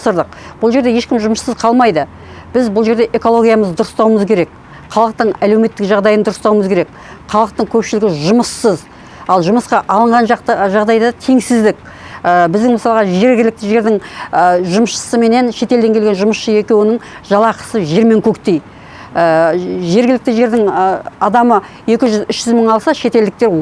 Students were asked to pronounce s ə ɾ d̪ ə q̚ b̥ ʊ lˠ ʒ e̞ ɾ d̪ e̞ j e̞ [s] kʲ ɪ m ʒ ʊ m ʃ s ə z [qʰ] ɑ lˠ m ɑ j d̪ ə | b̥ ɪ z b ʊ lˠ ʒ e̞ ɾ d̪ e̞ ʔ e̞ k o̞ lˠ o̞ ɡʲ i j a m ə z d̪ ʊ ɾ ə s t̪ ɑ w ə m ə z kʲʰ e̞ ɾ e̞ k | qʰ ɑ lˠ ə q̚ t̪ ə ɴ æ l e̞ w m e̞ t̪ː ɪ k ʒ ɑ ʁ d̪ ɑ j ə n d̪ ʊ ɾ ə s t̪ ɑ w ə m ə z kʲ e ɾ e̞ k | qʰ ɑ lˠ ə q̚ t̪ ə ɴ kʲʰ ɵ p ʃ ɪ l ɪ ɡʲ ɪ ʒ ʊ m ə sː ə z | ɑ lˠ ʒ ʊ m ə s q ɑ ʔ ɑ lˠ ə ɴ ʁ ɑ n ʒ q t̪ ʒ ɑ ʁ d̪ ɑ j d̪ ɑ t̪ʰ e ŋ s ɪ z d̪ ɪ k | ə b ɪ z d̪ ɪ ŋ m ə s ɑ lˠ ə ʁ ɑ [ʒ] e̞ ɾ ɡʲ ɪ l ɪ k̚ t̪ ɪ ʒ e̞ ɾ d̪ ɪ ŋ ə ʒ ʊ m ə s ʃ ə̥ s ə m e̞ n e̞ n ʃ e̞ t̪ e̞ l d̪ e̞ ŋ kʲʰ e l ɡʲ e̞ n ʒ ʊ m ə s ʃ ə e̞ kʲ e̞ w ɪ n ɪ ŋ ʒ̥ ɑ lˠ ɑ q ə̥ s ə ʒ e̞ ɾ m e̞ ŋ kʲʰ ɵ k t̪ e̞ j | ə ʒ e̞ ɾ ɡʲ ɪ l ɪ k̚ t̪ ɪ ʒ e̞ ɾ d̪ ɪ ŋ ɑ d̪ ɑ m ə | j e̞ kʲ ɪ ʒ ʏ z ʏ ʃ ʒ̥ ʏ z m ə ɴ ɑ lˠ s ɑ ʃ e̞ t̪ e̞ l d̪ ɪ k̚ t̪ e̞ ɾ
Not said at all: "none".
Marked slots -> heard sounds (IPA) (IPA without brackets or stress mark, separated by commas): ʃ, qʰ, ʒ